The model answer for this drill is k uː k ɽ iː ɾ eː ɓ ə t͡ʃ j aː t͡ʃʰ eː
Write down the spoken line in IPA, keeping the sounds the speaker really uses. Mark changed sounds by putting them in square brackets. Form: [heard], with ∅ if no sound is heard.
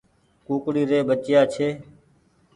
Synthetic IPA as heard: k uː k ɽ iː ɾ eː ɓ ə t͡ʃ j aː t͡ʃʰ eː